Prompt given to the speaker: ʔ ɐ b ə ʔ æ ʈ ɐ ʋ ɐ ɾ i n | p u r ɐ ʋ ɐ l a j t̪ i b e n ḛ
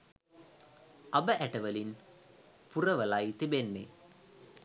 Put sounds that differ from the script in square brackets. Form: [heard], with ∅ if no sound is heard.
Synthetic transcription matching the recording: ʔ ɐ b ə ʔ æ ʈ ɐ ʋ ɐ [l] i n | p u r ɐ ʋ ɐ l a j t̪ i b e [nː] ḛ